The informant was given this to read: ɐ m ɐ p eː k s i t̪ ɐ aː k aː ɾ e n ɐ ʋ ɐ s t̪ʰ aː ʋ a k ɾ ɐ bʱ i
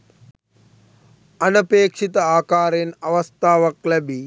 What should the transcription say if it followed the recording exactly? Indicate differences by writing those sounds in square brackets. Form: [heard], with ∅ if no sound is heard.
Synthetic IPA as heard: ɐ [n] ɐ p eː k [ʂ] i t̪ ɐ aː k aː ɾ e n ɐ ʋ ɐ s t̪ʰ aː ʋ [ɐ] k [l] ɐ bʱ i

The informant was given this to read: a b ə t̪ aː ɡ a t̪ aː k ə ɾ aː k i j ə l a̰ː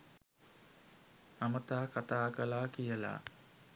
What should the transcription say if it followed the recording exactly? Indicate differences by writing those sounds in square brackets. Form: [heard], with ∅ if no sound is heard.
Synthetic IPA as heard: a [m] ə t̪ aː [k] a t̪ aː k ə [l] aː k i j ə l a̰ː

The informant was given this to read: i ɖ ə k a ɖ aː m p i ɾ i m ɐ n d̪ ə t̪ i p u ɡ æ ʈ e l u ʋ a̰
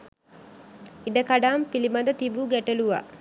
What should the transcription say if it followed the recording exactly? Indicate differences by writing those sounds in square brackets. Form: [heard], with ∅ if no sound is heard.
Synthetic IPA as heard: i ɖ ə k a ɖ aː m p i [l] i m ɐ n d̪ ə t̪ i [b] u ɡ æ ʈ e l u ʋ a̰

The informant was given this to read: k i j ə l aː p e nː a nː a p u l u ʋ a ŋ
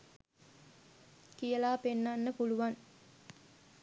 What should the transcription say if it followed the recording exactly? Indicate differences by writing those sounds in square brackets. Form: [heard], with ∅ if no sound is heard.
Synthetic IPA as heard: k i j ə l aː p e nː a nː [ə] p u l u ʋ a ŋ

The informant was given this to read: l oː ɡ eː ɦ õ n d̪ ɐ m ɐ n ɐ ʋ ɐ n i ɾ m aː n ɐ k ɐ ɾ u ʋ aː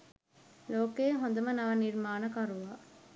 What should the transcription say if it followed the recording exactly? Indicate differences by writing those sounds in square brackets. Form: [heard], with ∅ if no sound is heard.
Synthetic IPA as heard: l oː [k] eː ɦ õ n d̪ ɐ m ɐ n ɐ ʋ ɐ n i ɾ m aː n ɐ k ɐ ɾ u ʋ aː

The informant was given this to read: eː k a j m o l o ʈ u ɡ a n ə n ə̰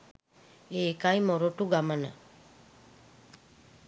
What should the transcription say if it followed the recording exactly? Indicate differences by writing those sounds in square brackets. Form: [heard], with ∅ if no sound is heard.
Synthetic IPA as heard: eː k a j m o [ɾ] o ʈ u ɡ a [m] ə n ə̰

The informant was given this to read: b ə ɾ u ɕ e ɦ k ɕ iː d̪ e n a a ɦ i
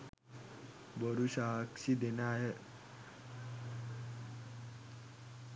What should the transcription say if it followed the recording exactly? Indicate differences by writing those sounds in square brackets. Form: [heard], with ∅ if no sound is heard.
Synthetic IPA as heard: b ə ɾ u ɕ [a] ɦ k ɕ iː d̪ e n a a ɦ [e]

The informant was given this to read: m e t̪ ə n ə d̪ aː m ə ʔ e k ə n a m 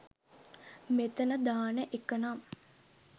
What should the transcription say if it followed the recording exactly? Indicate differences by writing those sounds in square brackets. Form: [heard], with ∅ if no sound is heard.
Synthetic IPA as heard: m e t̪ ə n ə d̪ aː [n] ə ʔ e k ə n a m

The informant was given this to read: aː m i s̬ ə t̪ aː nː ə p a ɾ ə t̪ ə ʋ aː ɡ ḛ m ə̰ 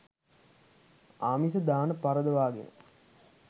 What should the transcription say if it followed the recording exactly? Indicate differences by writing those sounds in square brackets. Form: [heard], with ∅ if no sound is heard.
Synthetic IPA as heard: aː m i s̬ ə [d̪] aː [n] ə p a ɾ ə [d̪] ə ʋ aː ɡ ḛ [n] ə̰

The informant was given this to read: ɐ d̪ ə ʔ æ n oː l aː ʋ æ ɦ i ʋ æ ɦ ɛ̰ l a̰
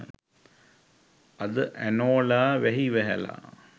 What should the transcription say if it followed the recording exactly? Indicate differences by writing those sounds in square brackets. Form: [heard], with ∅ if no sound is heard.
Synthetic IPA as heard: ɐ d̪ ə ʔ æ n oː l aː ʋ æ ɦ i ʋ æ ɦ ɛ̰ l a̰

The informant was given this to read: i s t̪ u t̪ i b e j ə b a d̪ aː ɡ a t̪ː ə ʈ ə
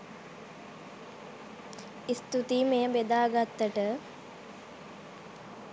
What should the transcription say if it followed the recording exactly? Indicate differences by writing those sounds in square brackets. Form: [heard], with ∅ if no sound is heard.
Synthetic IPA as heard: i s t̪ u t̪ i [m] e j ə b [e] d̪ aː ɡ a t̪ː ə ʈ ə

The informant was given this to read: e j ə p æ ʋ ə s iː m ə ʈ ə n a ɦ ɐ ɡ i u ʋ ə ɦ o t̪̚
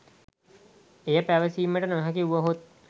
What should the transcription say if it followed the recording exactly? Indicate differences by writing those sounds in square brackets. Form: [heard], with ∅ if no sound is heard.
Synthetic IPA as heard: e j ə p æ ʋ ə s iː m ə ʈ ə n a ɦ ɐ [k] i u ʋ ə ɦ o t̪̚

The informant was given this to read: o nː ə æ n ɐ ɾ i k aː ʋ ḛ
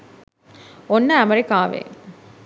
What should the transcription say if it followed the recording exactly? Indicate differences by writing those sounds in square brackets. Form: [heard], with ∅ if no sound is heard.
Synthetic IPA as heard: o nː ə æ [m] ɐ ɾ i k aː ʋ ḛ

